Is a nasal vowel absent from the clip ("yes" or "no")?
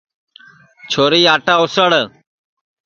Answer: yes